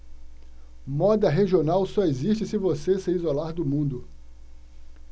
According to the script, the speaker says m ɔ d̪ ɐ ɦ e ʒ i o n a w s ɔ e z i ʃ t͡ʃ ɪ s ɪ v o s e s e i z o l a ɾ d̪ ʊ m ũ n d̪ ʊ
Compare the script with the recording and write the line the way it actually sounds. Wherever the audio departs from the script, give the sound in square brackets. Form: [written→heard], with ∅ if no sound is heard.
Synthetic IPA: m ɔ d̪ ɐ ɦ e ʒ i o n a w s ɔ e z i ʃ t͡ʃ ɪ s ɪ v o s e s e i z o l a ɾ d̪ ʊ m ũ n d̪ ʊ